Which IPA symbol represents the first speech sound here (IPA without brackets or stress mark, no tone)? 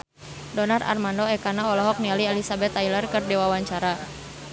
d